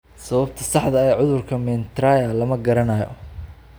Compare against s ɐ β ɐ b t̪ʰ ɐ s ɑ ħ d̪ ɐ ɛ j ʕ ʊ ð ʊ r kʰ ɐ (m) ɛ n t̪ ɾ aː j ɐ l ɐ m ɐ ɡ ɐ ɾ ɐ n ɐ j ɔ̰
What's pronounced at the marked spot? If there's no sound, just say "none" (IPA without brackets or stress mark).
m